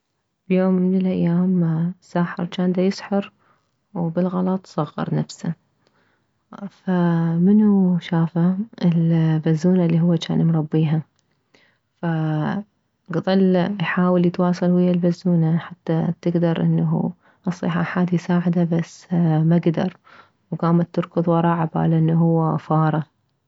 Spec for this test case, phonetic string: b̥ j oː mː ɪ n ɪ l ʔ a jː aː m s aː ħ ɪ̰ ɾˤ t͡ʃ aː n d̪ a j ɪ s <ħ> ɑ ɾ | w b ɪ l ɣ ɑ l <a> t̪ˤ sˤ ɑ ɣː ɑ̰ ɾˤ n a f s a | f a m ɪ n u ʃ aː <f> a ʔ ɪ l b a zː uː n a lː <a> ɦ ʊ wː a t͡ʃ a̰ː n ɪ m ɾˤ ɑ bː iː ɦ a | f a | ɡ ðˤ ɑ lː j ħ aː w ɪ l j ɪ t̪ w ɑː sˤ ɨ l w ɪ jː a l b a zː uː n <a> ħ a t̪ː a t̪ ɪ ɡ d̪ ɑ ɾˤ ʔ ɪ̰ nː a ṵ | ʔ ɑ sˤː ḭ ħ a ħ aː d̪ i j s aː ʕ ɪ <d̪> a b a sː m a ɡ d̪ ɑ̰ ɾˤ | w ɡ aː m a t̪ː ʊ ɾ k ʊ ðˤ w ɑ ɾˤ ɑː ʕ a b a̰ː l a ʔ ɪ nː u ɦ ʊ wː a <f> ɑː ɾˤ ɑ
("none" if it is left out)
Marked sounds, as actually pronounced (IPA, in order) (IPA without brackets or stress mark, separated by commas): ħ, ɑ, f, i, a, d̪, f